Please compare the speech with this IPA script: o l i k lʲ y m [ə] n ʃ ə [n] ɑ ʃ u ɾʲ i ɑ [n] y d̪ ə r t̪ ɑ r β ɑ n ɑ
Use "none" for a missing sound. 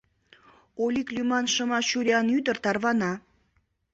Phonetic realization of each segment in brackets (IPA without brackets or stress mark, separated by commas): ɑ, m, n